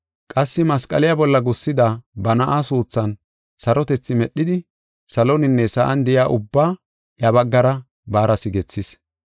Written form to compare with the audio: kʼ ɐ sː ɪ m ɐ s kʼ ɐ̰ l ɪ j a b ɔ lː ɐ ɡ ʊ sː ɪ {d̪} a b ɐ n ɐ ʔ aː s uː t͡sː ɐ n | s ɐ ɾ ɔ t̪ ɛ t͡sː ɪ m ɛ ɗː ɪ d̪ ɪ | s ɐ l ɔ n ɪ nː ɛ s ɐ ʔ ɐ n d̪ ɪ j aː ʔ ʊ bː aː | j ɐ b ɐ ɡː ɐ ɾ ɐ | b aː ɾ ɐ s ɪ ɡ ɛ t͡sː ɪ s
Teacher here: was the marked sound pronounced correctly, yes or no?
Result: yes